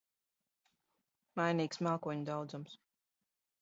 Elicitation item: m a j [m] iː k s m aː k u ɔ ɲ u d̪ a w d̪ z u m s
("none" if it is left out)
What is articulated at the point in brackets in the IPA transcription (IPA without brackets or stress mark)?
n